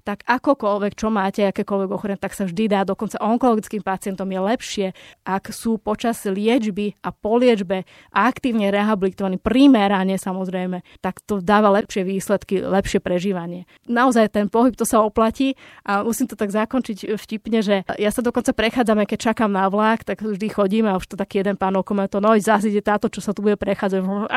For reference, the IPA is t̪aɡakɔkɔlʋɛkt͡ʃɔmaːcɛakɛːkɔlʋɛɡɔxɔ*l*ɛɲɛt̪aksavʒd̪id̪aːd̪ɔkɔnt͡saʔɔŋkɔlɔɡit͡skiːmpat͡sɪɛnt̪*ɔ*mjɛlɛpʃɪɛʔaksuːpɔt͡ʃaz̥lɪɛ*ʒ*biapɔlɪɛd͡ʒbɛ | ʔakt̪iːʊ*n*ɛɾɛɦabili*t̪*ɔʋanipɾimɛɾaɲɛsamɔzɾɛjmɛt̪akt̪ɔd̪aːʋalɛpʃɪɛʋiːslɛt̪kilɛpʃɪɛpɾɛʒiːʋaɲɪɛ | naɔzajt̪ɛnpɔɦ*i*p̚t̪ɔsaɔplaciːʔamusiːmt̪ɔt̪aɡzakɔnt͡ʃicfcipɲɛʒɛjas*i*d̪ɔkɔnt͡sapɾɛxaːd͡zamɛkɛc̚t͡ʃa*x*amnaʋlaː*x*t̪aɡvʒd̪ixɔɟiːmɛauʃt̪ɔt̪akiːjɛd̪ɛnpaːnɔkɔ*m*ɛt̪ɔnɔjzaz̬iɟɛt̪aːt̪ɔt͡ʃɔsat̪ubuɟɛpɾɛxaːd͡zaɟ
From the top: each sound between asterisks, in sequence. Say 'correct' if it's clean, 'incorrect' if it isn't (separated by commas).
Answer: incorrect, correct, incorrect, incorrect, correct, correct, incorrect, incorrect, incorrect, correct